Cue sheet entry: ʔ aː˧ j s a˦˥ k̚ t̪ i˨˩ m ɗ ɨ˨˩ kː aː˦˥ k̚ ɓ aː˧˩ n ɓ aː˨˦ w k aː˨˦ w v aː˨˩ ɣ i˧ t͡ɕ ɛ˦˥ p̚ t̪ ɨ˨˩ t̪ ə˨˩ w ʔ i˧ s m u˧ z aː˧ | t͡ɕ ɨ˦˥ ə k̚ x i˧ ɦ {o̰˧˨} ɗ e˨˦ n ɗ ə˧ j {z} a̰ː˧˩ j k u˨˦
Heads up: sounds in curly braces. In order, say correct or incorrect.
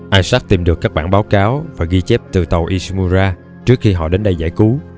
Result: incorrect: ɔ̰˧˨, correct

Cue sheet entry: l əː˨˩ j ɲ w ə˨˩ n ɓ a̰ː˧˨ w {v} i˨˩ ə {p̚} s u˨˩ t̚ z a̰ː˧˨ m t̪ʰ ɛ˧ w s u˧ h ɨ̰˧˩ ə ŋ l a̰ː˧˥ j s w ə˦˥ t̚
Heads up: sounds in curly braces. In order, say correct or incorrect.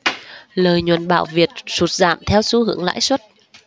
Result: correct, incorrect: t̚

